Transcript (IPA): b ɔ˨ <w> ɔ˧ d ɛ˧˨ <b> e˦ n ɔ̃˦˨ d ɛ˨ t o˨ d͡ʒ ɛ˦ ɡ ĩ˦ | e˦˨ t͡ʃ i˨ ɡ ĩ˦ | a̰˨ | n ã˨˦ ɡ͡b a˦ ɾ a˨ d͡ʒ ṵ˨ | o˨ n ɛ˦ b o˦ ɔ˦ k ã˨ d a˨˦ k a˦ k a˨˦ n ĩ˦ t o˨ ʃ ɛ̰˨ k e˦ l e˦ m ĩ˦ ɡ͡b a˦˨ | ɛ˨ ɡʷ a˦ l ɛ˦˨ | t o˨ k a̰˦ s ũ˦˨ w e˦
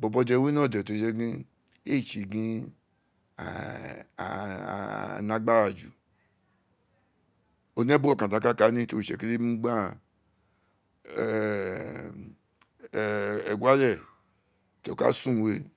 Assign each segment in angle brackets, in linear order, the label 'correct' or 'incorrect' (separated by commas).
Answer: incorrect, incorrect